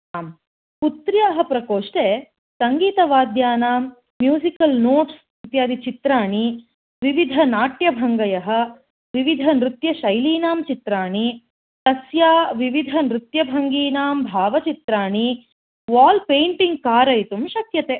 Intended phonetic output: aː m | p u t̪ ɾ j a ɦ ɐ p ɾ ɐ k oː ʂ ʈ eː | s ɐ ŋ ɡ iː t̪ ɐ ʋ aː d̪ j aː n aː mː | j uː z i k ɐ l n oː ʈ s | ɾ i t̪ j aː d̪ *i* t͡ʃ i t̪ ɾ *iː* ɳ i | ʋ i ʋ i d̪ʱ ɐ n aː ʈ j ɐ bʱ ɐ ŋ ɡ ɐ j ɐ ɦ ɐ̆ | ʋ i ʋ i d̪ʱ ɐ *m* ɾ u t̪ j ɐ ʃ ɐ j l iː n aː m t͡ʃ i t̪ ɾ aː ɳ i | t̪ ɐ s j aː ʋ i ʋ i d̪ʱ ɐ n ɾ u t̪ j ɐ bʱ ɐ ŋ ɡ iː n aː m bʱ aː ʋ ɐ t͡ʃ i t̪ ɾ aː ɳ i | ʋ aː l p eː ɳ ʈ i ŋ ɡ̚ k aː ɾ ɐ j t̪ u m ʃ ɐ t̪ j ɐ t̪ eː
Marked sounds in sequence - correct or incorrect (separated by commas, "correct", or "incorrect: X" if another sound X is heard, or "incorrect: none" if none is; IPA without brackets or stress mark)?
correct, incorrect: aː, incorrect: n